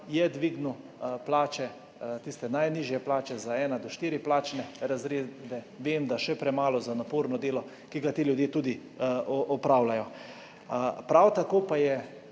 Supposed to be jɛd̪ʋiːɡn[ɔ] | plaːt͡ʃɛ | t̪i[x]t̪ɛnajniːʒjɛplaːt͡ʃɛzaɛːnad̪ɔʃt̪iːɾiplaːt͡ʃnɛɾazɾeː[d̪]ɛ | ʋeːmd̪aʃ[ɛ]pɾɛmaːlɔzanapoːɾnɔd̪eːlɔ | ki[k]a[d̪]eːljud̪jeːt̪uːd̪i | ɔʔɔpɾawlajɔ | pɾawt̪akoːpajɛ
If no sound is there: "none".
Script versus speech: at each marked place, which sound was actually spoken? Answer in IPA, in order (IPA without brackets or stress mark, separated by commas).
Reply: u, s, d̪, ɛ, ɡ, t̪